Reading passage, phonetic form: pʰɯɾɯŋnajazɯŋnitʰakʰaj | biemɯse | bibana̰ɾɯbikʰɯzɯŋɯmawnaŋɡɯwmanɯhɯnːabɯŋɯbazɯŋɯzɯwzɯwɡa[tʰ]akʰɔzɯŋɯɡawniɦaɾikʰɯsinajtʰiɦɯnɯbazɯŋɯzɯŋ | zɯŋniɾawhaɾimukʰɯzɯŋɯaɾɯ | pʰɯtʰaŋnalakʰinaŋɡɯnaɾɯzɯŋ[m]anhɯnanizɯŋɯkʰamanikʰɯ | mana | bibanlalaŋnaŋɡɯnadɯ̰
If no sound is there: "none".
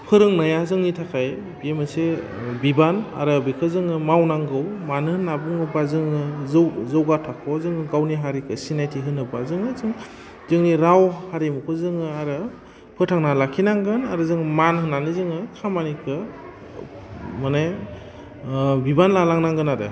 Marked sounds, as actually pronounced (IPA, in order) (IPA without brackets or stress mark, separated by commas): tʰ, m